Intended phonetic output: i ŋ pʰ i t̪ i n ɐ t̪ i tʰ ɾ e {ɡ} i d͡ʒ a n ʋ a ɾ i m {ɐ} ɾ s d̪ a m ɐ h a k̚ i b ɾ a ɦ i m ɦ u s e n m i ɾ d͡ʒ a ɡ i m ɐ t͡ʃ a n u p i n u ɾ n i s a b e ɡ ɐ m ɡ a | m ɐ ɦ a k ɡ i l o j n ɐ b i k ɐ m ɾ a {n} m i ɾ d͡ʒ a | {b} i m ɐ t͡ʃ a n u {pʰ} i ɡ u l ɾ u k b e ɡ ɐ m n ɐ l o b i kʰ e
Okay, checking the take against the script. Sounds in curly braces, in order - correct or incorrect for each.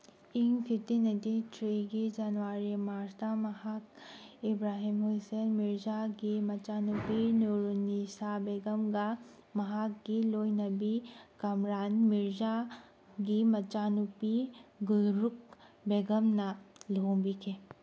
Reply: correct, incorrect: a, correct, incorrect: ɡ, incorrect: p

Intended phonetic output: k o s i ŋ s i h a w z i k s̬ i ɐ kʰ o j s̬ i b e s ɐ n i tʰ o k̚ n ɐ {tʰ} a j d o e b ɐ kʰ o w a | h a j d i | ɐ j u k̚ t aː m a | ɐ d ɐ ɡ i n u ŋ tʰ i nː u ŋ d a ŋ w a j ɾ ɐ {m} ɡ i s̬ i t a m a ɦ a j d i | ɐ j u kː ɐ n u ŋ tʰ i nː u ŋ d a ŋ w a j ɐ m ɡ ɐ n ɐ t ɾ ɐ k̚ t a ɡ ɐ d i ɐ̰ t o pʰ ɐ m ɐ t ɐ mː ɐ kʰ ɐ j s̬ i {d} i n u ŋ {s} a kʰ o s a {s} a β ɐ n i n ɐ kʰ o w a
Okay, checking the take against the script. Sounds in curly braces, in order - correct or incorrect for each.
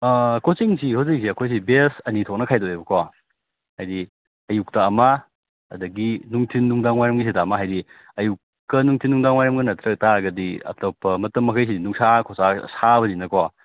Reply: incorrect: kʰ, correct, correct, correct, correct

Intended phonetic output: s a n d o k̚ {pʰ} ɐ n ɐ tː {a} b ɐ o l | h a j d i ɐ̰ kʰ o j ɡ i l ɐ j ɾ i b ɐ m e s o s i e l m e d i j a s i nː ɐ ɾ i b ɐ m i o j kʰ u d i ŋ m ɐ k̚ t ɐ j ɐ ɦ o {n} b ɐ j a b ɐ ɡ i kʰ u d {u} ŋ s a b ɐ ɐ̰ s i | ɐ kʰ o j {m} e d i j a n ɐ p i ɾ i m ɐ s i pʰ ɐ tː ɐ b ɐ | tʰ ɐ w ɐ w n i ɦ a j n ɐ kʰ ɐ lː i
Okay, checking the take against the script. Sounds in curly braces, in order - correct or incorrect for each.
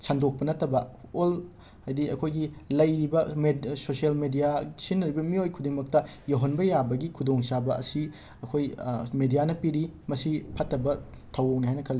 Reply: incorrect: p, incorrect: ɐ, correct, incorrect: o, correct

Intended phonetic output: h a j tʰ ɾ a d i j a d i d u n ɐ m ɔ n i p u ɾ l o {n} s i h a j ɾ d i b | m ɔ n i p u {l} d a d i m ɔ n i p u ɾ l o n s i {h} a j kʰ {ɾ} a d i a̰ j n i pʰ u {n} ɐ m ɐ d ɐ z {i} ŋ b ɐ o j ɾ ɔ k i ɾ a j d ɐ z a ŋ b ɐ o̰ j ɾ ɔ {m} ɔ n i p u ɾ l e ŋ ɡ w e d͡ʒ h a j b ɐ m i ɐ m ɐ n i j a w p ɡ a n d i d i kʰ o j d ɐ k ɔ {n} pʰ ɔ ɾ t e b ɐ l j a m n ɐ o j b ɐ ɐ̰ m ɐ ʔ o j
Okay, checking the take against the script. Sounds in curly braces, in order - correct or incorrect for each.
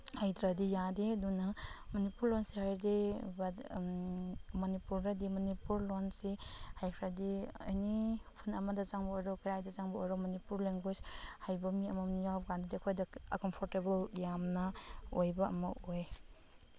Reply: correct, incorrect: ɾ, correct, correct, correct, incorrect: a, correct, incorrect: m

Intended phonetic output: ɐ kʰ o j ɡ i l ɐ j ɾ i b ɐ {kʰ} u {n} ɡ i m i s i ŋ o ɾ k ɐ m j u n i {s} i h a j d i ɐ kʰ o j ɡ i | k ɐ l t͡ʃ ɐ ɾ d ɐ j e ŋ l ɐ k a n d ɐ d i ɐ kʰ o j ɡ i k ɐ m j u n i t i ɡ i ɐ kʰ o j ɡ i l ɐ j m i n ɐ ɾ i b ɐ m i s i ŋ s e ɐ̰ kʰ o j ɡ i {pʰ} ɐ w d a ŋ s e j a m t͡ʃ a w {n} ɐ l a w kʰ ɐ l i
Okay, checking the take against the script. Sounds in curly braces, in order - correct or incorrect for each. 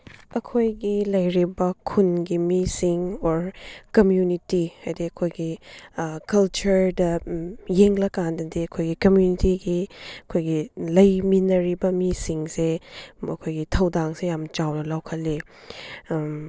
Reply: correct, correct, incorrect: t, incorrect: tʰ, correct

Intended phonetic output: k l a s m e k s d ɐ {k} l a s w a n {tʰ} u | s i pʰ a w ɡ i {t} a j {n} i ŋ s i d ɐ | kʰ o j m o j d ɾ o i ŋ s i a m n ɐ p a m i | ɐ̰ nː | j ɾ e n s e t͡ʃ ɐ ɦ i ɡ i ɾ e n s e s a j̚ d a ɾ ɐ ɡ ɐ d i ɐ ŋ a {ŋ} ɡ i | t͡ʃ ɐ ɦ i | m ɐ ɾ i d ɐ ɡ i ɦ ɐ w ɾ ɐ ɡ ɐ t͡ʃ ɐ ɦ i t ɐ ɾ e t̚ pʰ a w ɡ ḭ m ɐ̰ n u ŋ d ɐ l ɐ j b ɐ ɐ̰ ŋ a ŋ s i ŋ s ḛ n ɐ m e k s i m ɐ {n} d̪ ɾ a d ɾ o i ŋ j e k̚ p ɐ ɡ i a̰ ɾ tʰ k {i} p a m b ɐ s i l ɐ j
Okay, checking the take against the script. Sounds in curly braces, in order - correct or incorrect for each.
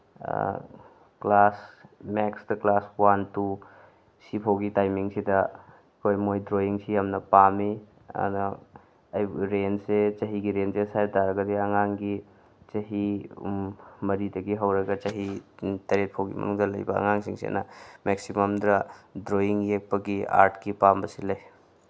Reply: correct, incorrect: t, correct, incorrect: m, correct, incorrect: m, correct

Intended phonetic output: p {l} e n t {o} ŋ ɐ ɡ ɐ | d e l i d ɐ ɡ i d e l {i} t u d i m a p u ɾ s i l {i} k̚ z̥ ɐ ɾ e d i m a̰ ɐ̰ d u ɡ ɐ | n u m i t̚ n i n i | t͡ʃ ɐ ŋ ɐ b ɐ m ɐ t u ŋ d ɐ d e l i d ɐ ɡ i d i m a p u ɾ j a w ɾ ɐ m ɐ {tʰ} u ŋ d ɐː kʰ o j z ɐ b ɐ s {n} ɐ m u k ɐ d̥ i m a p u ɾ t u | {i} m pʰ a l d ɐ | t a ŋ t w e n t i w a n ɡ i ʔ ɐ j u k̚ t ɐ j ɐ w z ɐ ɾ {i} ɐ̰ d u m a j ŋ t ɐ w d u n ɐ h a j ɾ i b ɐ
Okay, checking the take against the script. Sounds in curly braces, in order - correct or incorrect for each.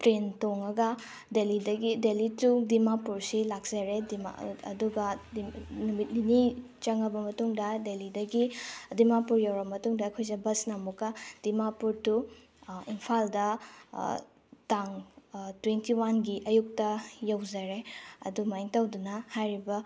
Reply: incorrect: ɾ, correct, correct, incorrect: a, incorrect: t, correct, correct, incorrect: e

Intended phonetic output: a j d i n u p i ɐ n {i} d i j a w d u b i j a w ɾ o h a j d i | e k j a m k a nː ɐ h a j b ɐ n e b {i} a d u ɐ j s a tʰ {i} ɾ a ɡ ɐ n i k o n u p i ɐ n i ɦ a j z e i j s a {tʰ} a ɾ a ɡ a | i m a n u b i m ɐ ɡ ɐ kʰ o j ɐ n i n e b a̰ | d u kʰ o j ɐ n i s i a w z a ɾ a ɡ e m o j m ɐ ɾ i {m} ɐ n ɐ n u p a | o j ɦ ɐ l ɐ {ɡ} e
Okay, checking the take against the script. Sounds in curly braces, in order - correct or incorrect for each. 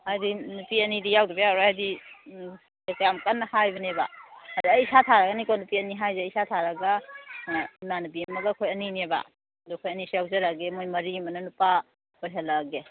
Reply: correct, incorrect: a, incorrect: a, correct, correct, correct

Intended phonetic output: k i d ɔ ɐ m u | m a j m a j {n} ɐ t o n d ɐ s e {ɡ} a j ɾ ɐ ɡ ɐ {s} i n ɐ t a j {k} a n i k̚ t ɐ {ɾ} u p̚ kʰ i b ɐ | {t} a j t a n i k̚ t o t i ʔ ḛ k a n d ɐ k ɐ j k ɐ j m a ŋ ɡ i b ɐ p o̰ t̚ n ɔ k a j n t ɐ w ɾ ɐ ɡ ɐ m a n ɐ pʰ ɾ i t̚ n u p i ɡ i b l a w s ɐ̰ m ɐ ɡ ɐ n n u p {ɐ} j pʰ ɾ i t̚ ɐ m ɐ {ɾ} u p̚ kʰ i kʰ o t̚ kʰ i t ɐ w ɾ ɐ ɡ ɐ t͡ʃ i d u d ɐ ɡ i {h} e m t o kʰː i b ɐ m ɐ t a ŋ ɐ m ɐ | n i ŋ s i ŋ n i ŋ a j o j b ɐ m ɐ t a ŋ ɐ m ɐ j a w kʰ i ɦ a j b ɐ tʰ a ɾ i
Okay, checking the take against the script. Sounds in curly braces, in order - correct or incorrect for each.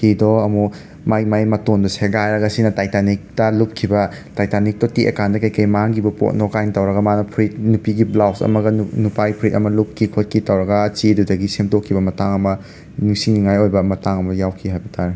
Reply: incorrect: m, correct, correct, incorrect: t, incorrect: l, correct, incorrect: a, incorrect: l, incorrect: s

